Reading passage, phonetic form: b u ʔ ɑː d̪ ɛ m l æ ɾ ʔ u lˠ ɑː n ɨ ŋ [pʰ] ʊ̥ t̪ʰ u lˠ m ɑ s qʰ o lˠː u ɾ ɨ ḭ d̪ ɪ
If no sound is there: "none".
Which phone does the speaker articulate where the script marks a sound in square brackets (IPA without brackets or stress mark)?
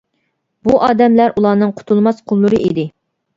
qʰ